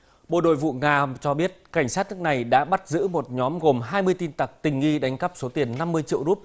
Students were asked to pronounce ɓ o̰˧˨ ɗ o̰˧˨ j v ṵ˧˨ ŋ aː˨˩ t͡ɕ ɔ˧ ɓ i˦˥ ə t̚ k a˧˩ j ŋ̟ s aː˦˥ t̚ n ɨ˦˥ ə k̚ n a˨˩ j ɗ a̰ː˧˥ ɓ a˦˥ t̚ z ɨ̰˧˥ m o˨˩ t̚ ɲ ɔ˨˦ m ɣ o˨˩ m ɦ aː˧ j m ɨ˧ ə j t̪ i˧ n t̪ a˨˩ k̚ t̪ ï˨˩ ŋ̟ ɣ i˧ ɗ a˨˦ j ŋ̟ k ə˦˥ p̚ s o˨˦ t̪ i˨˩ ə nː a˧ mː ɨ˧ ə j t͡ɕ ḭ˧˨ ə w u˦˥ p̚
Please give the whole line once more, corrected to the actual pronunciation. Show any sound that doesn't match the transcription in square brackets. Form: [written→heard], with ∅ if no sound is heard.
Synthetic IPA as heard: ɓ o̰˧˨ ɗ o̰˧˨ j v ṵ˧˨ ŋ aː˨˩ t͡ɕ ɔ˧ ɓ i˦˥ ə t̚ k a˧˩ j ŋ̟ s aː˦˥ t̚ n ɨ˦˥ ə k̚ n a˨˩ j ɗ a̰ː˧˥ ɓ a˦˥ t̚ z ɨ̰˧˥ m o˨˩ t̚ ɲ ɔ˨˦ m ɣ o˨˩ m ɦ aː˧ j m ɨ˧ ə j t̪ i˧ n t̪ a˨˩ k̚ t̪ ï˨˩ ŋ̟ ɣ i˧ ɗ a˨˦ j ŋ̟ k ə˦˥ p̚ s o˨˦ t̪ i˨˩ ə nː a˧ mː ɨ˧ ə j t͡ɕ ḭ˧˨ ə w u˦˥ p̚